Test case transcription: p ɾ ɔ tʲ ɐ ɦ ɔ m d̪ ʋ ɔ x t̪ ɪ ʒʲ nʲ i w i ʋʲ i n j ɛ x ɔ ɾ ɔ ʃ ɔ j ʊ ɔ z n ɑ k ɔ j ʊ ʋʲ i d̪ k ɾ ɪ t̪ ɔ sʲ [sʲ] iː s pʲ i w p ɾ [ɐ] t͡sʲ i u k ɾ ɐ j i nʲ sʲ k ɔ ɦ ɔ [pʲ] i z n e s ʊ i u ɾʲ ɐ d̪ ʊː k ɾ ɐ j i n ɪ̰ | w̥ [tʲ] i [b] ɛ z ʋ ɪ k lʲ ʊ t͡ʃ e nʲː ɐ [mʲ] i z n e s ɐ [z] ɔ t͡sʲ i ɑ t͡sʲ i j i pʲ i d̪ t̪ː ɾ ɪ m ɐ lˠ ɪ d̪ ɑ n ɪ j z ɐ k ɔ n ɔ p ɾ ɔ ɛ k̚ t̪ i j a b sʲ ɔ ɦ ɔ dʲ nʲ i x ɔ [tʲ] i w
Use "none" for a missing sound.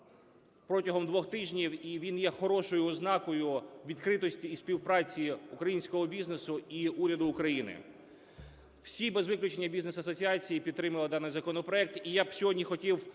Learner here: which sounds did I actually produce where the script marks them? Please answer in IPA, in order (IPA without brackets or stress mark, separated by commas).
tʲ, ɑ, bʲ, sʲ, b, bʲ, s, tʲ